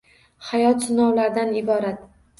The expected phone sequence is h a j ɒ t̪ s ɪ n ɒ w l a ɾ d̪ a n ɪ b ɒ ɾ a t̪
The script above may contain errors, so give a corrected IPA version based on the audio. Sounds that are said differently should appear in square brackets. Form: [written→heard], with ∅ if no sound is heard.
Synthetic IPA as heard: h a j ɒ t̪ s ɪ n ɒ w l a ɾ d̪ a n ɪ b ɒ ɾ a t̪